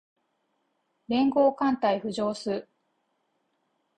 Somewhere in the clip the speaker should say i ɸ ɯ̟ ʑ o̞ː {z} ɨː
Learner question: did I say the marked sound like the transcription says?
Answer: no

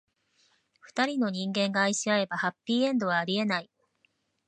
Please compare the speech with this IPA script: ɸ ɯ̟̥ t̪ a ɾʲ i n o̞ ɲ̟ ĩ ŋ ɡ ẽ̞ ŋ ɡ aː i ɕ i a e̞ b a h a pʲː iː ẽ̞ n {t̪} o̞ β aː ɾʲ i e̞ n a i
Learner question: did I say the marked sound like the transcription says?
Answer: no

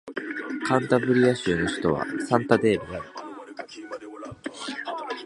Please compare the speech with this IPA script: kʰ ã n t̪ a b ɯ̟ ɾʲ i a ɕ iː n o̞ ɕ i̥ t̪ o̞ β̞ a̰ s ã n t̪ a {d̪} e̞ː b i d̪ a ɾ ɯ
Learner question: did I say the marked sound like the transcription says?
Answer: yes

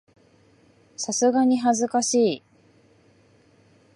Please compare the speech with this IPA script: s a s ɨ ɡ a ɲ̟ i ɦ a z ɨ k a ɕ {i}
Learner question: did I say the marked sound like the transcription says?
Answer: no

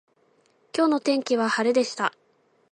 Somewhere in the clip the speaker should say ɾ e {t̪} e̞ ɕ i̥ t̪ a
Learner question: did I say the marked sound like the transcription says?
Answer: no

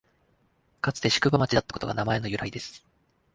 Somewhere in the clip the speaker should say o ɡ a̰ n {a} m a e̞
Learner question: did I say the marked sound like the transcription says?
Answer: yes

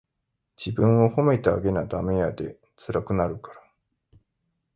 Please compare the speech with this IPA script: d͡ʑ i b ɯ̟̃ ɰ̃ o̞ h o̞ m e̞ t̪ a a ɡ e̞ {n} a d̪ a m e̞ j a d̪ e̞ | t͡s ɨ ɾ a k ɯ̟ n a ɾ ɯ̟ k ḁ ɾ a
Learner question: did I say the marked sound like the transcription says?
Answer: yes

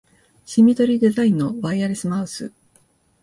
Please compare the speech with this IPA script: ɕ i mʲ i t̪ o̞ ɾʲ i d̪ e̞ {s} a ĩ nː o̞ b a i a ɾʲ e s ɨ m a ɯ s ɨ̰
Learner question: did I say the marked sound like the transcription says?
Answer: no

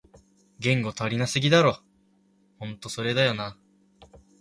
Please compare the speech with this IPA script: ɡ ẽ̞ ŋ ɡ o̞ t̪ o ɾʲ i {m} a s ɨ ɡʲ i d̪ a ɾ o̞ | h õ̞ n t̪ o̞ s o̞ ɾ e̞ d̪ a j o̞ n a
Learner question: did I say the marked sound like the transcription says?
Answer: no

